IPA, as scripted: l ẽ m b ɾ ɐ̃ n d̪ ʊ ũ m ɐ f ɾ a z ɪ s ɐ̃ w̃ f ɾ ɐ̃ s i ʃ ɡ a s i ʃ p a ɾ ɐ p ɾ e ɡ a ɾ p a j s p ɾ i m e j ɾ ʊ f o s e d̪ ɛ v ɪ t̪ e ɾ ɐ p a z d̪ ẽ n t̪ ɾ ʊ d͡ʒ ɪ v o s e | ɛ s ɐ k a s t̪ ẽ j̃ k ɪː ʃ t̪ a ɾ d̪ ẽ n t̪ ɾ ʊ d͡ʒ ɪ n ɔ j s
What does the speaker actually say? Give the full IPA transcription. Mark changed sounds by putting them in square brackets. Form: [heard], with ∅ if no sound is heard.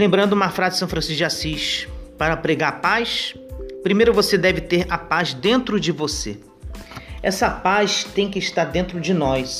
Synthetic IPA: l ẽ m b ɾ ɐ̃ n d̪ ʊ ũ m ɐ f ɾ a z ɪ s ɐ̃ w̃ f ɾ ɐ̃ s i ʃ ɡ a s i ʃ p a ɾ ɐ p ɾ e ɡ a ɾ p a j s p ɾ i m e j ɾ ʊ [v] o s e d̪ ɛ v ɪ t̪ e ɾ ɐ p a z d̪ ẽ n t̪ ɾ ʊ d͡ʒ ɪ v o s e | ɛ s ɐ [p] a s t̪ ẽ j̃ k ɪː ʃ t̪ a ɾ d̪ ẽ n t̪ ɾ ʊ d͡ʒ ɪ n ɔ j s